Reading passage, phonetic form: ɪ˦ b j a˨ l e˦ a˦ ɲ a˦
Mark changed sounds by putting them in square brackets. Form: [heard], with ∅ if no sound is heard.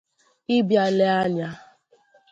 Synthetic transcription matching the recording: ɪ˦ b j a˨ l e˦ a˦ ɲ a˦

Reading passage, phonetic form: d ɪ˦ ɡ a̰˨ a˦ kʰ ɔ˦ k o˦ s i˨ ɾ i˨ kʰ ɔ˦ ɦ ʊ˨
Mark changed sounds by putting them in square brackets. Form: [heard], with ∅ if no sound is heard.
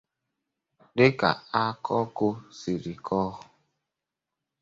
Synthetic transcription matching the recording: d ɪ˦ [k] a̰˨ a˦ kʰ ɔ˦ k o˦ s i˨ ɾ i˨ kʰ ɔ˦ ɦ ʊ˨

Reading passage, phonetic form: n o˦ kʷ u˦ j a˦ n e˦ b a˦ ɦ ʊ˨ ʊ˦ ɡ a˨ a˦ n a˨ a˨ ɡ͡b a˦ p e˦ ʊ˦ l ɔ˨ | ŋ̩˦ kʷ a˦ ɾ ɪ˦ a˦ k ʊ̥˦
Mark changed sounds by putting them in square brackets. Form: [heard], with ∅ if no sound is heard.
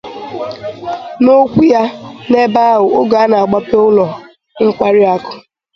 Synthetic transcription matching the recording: n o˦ kʷ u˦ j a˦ n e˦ b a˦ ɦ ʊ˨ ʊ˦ ɡ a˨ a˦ n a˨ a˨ ɡ͡b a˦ p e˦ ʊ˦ l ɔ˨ | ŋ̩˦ kʷ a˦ ɾ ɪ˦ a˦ k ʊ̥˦

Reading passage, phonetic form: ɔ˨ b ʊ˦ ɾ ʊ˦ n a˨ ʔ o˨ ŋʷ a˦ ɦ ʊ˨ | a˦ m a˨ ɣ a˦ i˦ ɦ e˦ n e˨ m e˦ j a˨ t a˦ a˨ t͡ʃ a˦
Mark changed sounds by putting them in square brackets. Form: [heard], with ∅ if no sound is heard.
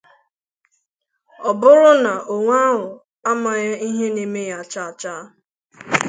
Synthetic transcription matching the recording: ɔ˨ b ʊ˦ ɾ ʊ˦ n a˨ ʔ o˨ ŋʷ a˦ ɦ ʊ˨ | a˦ m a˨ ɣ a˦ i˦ ɦ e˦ n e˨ m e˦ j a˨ [t͡ʃ] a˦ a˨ t͡ʃ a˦

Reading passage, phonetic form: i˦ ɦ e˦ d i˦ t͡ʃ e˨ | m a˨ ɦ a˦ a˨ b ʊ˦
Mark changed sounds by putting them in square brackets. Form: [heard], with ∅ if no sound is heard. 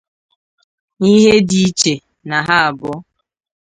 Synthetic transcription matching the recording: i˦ ɦ e˦ d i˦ t͡ʃ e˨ | [n] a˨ ɦ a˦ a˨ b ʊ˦

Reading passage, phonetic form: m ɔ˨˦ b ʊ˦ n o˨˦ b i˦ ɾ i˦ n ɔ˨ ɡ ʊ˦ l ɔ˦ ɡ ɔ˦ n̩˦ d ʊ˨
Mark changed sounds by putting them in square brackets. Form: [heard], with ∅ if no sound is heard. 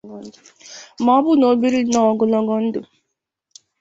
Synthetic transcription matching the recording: m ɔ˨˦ b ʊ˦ n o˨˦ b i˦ ɾ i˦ n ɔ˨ ɡ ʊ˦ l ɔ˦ ɡ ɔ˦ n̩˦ d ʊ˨

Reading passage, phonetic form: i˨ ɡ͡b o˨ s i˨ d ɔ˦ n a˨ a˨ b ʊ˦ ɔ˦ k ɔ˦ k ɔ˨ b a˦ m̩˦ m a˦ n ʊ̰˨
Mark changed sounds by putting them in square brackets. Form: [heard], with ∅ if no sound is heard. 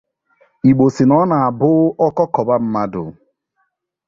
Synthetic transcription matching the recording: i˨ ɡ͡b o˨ s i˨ [n] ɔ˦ n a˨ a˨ b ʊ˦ ɔ˦ k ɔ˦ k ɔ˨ b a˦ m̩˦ m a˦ [d] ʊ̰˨

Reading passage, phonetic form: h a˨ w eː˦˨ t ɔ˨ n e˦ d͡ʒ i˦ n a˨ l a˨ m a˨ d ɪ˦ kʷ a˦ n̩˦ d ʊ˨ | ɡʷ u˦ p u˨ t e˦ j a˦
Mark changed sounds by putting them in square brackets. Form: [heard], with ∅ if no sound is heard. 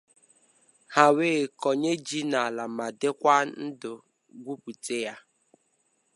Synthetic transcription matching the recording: h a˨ w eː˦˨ [k] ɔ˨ [ɲ] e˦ d͡ʒ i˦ n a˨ l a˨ m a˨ d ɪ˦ kʷ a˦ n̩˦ d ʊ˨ | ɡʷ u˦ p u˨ t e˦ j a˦

